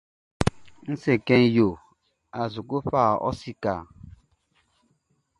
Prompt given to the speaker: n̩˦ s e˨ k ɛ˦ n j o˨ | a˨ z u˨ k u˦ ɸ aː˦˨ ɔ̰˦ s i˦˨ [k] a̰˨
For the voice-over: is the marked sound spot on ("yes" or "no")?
yes